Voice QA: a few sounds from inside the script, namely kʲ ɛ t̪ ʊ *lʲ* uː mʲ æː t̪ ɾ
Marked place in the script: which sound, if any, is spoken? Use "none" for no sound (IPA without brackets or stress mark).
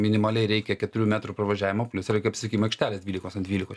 ɾʲ